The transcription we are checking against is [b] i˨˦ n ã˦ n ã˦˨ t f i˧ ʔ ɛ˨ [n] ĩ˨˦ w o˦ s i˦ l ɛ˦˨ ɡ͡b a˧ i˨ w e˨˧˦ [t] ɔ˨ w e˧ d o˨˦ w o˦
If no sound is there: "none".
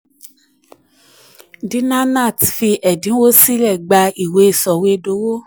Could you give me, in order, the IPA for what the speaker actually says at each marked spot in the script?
d, d, s

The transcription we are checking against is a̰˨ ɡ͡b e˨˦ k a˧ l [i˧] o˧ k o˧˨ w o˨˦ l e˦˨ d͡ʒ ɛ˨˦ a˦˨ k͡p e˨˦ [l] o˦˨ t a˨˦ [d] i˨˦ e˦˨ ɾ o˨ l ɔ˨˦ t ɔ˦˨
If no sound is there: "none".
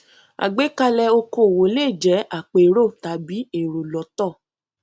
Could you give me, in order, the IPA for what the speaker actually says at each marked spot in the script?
ɛ˧, ɾ, b

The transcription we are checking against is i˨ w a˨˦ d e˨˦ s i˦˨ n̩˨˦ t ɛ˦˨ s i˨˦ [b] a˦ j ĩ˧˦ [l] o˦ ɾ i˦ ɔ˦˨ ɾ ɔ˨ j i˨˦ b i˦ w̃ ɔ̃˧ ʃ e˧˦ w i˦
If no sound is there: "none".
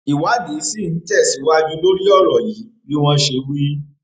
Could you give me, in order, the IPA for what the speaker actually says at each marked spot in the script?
w, l

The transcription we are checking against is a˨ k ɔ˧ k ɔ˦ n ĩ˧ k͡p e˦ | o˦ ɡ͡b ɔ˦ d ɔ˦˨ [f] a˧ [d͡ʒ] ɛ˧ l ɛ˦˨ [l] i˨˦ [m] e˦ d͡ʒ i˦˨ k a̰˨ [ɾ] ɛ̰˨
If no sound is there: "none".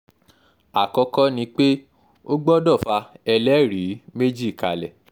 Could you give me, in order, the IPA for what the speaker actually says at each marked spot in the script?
f, none, ɾ, m, l

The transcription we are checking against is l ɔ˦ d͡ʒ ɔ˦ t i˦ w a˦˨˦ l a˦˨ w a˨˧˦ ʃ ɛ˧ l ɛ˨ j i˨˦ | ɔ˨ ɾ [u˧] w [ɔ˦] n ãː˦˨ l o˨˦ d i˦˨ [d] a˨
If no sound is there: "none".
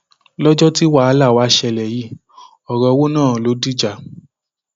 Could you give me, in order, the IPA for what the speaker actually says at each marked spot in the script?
ɔ˧, o˦, d͡ʒ

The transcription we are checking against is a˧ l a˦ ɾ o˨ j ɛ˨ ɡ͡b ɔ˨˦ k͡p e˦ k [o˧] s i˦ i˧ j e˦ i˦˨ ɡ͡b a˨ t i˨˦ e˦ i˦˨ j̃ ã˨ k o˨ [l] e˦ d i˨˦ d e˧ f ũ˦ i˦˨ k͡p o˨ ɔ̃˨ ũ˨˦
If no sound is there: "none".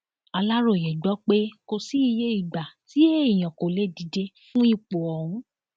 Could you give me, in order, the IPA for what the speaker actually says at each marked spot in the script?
o˧, l

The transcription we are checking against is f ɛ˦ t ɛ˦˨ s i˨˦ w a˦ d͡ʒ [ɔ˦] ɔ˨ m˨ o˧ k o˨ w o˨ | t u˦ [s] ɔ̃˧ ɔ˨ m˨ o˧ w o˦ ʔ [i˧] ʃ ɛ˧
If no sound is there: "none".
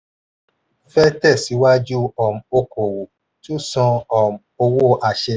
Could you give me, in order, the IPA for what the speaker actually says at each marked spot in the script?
u˦, s, a˧

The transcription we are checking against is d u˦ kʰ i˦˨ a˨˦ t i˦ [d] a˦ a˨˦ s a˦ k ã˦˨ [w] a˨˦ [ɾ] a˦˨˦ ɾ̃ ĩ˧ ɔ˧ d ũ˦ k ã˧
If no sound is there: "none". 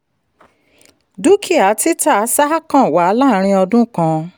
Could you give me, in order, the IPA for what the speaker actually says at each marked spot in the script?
t, w, l

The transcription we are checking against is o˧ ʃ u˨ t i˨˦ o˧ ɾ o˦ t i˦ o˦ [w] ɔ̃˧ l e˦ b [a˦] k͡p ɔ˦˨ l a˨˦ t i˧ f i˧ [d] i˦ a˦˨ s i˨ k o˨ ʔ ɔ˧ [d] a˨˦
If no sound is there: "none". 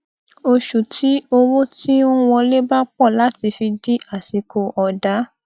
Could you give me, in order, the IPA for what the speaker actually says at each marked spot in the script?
w, a˦, d, d

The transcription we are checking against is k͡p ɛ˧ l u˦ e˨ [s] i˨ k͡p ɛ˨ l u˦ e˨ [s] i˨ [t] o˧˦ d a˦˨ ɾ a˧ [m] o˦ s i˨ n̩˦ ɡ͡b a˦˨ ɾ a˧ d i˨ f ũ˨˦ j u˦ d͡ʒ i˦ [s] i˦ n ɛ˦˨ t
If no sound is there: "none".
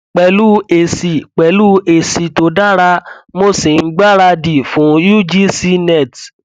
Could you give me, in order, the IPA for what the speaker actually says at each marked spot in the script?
s, s, t, m, s

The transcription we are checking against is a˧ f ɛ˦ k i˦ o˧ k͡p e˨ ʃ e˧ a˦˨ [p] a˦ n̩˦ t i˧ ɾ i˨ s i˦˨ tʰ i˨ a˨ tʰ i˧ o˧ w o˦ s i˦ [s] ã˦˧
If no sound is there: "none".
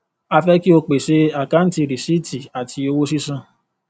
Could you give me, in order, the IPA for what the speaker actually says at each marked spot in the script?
k, s

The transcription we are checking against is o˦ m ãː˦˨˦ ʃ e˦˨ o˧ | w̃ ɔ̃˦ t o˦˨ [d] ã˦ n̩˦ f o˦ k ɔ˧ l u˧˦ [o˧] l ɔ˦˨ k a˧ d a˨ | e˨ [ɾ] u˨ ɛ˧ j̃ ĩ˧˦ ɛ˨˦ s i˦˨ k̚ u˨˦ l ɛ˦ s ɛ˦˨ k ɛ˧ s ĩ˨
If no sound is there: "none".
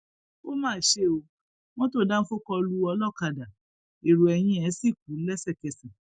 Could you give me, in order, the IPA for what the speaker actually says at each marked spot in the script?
d, ɔ˧, ɾ

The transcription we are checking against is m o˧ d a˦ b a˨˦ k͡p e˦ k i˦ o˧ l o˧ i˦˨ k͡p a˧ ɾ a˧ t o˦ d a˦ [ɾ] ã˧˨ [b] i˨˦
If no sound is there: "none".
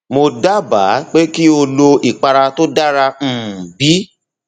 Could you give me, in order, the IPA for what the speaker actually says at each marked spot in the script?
ɾ, b

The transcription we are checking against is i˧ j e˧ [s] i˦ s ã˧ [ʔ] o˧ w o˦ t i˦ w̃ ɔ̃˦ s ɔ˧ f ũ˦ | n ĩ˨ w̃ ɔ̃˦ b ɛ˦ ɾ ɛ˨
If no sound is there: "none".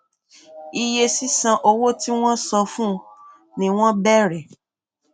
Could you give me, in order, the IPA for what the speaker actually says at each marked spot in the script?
s, ʔ

